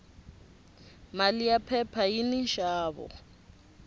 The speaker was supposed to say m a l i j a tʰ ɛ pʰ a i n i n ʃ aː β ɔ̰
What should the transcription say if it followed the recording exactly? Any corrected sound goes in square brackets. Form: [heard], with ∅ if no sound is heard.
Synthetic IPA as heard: m a l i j a [pʰ] ɛ pʰ a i n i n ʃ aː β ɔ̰